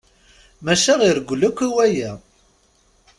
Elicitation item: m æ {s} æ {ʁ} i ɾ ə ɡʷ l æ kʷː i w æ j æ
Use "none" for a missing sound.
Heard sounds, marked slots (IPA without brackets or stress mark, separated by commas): ʃ, ʁ